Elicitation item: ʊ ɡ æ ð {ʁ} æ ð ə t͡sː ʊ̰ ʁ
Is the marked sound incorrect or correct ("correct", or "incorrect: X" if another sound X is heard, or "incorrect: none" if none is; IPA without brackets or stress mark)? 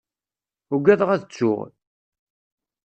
correct